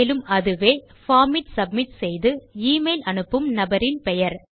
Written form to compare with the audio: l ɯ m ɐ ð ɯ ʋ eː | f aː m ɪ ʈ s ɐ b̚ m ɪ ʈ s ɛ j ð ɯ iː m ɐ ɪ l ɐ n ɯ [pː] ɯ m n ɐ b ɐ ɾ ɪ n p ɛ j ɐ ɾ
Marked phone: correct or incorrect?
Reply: correct